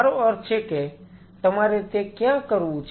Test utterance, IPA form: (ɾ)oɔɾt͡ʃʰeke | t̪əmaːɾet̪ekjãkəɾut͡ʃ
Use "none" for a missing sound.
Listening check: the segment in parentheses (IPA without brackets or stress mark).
ɾ